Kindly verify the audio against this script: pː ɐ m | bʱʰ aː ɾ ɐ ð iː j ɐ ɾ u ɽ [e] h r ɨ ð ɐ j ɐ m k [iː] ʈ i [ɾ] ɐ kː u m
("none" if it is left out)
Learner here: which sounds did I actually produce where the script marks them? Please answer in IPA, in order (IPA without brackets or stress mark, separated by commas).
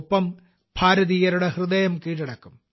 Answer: e, iː, ɽ